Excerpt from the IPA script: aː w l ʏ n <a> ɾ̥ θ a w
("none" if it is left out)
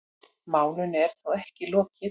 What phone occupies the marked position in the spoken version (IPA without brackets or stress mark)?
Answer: ɛ